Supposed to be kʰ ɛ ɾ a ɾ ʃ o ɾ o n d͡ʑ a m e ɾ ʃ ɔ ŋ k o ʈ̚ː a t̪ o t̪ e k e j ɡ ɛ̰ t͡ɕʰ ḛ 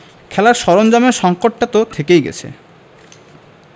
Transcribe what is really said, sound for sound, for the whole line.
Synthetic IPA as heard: kʰ ɛ l a ɾ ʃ ɔ ɾ o n d͡ʑ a m e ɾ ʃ ɔ ŋ k o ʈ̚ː a t̪ o t̪ʰ e k e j ɡ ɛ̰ t͡ɕʰ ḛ